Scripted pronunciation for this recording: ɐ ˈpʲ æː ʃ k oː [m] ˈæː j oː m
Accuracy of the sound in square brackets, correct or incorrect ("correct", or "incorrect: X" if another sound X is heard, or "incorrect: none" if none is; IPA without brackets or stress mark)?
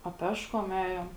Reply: correct